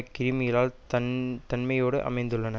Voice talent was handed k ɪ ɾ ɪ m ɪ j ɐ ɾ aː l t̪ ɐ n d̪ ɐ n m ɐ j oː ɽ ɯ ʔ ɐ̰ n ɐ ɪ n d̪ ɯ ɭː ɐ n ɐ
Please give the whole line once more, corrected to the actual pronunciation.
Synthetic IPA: k ɪ ɾ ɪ m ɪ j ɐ l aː l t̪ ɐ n t̪ ɐ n m ɐ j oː ɽ ɯ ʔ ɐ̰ m ɐ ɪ n d̪ ɯ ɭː ɐ n ɐ